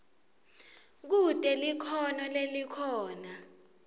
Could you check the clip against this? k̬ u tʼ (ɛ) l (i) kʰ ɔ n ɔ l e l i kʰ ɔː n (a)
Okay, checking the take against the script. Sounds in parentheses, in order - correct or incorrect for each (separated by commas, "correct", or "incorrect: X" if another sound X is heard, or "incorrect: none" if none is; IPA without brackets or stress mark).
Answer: correct, correct, correct